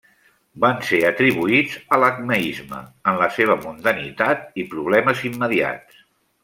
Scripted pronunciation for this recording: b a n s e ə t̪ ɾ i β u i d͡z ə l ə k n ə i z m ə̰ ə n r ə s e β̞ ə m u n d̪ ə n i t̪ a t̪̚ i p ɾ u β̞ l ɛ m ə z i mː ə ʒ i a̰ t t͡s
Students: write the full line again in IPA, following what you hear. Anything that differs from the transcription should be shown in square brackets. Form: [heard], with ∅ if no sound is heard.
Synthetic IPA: b a n s e ə t̪ ɾ i β u i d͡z ə l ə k n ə i z m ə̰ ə n [l] ə s e β̞ ə m u n d̪ ə n i t̪ a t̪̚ i p ɾ u β̞ l ɛ m ə z i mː ə [ð] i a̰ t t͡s